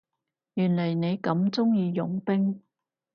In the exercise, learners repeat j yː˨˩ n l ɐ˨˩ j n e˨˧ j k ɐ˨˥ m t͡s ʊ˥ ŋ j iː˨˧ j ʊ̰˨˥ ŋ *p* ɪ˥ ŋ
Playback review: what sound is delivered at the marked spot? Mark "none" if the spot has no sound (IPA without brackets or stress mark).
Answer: p